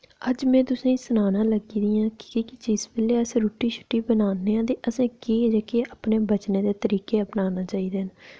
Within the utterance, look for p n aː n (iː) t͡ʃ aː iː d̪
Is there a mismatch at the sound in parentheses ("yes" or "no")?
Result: yes